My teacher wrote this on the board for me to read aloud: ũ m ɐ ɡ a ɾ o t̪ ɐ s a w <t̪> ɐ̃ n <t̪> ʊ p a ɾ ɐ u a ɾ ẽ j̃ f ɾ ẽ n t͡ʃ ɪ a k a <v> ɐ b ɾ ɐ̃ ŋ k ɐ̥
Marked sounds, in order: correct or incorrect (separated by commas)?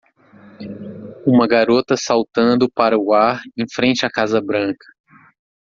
correct, incorrect, incorrect